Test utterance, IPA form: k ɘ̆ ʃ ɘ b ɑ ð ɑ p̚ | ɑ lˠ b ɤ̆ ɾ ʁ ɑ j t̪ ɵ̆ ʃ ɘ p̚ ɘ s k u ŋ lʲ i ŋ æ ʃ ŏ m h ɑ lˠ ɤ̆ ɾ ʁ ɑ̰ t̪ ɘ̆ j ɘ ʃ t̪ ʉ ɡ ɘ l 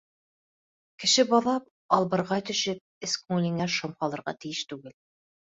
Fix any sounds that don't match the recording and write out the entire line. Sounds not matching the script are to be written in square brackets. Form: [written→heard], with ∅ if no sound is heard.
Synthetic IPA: k ɘ̆ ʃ ɘ b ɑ ð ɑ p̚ | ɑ lˠ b ɤ̆ ɾ ʁ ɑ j t̪ ɵ̆ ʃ ɘ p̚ ɘ s k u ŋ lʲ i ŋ æ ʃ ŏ m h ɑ lˠ ɤ̆ ɾ ʁ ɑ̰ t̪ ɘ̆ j ɘ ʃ t̪ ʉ ɡ ɘ l